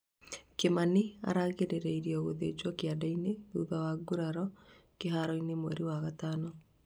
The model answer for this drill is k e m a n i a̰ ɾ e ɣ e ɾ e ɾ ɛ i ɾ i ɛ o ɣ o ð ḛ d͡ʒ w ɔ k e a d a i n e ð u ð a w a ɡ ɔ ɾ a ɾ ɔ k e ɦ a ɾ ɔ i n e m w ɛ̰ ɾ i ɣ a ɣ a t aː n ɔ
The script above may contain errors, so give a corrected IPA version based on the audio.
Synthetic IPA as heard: k e m a n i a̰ ɾ a ɣ e ɾ e ɾ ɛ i ɾ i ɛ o ɣ o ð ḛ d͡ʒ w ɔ k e a d a i n e ð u ð a w a ɡ u ɾ a ɾ ɔ k e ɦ a ɾ ɔ i n e m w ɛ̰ ɾ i w a ɣ a t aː n ɔ